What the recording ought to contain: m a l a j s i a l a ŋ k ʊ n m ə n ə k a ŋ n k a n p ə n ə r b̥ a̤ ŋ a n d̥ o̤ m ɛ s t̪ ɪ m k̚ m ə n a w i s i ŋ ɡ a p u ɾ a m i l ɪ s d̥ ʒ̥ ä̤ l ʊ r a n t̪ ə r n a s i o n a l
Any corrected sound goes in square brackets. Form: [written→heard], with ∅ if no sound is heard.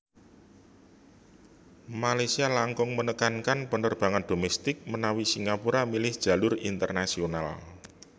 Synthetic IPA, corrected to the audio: m a l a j s i a l a ŋ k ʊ [n→ŋ] m ə n ə k a [ŋ→∅] n k a n p ə n ə r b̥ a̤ ŋ a n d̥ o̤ m ɛ s t̪ ɪ [m→∅] k̚ m ə n a w i s i ŋ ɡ a p u ɾ a m i l ɪ [s→h] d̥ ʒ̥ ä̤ l ʊ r [a→i] n t̪ ə r n a s i o n a l

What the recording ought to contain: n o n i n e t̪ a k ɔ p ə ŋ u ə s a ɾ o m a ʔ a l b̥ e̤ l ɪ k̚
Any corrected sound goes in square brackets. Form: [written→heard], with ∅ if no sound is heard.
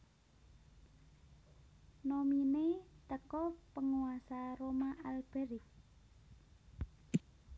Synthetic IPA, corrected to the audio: n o [n→m] i n e t̪ [a→ə] k ɔ p ə ŋ u [ə→a] s a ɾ o m a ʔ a l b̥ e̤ [l→ɾ] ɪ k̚

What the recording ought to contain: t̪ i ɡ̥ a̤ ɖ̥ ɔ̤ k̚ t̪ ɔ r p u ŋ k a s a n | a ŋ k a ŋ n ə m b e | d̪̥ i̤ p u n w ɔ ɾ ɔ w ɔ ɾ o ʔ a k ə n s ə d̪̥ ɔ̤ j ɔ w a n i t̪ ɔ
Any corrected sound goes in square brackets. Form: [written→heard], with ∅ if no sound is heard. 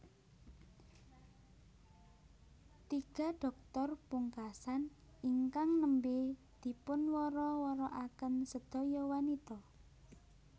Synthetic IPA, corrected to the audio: t̪ i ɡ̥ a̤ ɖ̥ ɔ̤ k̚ t̪ ɔ r p u ŋ k a s a n | [a→i] ŋ k a ŋ n ə m b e | d̪̥ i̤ p [u→ʊ] n w ɔ ɾ ɔ w ɔ ɾ [o→ɔ] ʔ a k ə n s ə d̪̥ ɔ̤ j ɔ w a n i t̪ ɔ

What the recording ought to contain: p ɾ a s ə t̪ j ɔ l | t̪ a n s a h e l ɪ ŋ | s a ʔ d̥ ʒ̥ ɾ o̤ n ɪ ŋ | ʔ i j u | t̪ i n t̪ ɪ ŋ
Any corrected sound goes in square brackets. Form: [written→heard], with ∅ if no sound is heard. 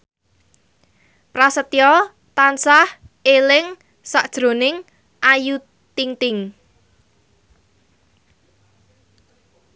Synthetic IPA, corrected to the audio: p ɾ a s ə t̪ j ɔ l | t̪ a n s a h e l ɪ ŋ | s a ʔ d̥ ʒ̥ ɾ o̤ n ɪ ŋ | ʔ [i→a] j u | t̪ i [n→ŋ] t̪ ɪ ŋ

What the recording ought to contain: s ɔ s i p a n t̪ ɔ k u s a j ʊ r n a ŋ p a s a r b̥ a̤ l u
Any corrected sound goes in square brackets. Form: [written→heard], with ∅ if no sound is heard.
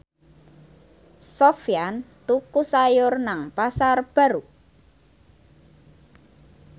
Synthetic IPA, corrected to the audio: s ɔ [s→f] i [p→∅] a n t̪ [ɔ→u] k u s a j ʊ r n a ŋ p a s a r b̥ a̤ [l→ɾ] u

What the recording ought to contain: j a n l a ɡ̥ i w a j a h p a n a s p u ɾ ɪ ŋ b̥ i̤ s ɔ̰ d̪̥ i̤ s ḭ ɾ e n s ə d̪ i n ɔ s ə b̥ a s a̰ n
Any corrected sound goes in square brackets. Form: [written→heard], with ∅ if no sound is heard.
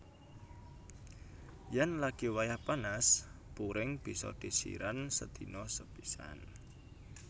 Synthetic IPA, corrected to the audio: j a n l a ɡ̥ i w a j a h p a n a s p u ɾ ɪ ŋ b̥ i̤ s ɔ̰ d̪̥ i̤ s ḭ ɾ [e→a] n s ə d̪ i n ɔ s ə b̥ [a→i] s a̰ n

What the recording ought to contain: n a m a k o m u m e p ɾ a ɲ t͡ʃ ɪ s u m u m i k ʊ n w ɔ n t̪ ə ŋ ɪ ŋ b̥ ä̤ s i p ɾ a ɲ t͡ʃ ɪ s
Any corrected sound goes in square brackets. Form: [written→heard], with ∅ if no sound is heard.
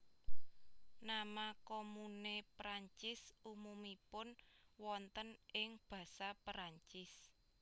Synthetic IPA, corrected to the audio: n a m a k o m u [m→n] e p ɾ a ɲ t͡ʃ ɪ s u m u m i [k→p] ʊ n w ɔ n t̪ ə [ŋ→n] ɪ ŋ b̥ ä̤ s [i→a] p ɾ a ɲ t͡ʃ ɪ s

